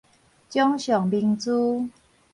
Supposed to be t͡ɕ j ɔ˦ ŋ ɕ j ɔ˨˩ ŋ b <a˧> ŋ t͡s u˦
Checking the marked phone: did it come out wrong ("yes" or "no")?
yes